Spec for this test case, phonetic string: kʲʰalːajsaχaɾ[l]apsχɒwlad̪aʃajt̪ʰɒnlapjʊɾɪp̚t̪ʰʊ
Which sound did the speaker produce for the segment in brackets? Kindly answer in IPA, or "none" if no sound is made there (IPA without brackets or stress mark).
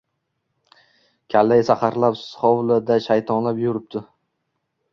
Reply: l